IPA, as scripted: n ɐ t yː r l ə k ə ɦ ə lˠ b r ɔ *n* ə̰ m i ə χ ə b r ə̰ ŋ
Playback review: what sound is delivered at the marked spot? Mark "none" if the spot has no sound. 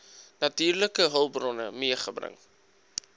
n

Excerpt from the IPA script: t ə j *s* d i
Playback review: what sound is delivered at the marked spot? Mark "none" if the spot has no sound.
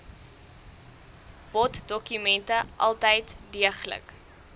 t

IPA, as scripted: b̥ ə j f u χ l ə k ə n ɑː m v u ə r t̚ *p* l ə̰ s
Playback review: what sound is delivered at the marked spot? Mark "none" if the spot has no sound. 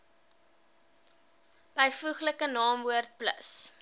p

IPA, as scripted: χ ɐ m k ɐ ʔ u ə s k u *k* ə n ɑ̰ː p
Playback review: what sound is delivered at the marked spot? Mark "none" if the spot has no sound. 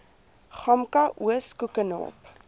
k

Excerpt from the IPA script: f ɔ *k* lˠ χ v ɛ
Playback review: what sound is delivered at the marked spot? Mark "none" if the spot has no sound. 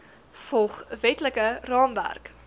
none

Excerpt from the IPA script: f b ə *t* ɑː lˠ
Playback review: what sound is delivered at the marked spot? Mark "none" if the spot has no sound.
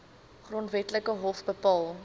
p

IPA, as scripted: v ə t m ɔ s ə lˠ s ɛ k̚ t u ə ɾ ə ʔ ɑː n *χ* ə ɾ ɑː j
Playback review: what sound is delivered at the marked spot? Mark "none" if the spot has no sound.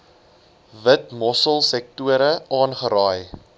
χ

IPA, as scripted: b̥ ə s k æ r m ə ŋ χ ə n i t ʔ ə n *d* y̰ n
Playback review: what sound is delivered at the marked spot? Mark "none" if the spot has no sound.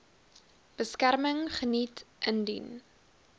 d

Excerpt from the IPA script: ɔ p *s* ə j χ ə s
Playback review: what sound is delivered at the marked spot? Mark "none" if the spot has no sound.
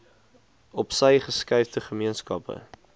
s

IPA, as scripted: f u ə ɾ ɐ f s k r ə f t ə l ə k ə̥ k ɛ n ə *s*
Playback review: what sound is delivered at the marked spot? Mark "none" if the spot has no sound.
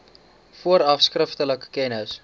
s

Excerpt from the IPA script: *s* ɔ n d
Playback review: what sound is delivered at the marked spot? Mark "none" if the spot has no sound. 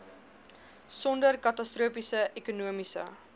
s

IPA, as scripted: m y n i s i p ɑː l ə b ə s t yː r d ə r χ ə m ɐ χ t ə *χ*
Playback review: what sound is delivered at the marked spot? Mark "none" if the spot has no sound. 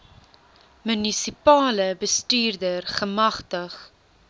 χ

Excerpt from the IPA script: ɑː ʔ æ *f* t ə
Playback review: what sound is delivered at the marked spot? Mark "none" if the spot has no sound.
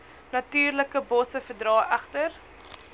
χ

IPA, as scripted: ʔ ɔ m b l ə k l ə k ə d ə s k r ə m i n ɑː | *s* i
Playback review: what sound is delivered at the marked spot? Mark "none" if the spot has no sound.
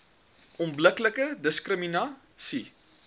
s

